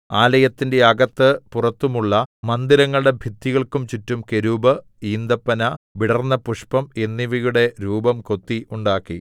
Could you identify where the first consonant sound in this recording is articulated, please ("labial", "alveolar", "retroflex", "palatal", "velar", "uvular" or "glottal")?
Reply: alveolar